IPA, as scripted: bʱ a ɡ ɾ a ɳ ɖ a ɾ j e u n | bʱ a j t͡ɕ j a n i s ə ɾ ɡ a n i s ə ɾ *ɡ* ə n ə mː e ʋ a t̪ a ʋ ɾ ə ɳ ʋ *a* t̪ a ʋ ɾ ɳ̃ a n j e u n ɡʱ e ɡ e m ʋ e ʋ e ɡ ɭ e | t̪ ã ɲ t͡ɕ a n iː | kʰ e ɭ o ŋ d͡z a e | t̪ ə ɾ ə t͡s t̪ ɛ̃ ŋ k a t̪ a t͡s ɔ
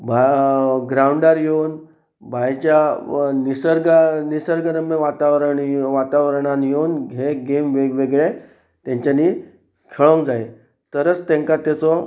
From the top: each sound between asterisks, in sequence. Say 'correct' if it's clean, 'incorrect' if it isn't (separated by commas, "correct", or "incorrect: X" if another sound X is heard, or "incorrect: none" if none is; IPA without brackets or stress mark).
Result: correct, correct